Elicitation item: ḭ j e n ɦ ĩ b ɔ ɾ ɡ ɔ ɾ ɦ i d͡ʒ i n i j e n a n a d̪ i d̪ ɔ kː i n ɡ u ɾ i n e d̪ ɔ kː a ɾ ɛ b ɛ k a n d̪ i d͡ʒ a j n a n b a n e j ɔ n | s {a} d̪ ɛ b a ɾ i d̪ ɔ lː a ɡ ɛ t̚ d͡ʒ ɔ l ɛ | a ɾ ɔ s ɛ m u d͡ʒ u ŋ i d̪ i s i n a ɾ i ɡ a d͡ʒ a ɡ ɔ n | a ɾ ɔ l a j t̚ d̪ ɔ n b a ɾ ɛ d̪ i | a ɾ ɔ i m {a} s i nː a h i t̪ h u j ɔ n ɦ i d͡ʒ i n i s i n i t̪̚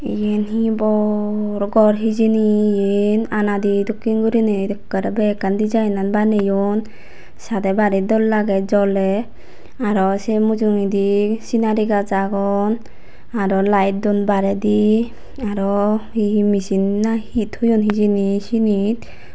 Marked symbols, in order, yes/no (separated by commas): yes, no